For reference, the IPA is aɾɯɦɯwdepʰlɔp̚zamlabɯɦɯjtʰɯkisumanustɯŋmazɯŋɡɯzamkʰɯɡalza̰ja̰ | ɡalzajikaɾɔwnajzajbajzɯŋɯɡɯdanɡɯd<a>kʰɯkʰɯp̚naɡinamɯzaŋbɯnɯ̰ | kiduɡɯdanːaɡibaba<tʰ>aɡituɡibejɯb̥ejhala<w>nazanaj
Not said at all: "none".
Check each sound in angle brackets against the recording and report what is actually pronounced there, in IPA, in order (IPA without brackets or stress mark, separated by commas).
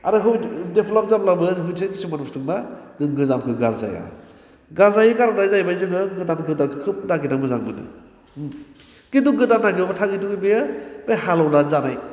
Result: a, tʰ, w